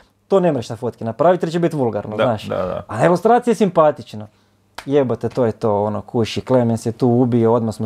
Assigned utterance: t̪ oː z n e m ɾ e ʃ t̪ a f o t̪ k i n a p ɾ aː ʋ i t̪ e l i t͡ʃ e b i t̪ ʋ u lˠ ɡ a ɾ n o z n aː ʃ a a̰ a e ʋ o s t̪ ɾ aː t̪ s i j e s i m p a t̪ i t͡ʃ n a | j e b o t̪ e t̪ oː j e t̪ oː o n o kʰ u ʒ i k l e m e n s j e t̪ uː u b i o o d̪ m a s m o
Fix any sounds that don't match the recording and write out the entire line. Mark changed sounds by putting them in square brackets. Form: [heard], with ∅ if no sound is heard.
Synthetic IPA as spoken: t̪ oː [∅] n e m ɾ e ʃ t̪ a f o t̪ k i n a p ɾ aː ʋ i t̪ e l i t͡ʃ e b i t̪ ʋ u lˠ ɡ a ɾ n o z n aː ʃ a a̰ a e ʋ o s t̪ ɾ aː t̪ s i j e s i m p a t̪ i t͡ʃ n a | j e b o t̪ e t̪ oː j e t̪ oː o n o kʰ u [ʃ] i k l e m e n s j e t̪ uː u b i o o d̪ m a s m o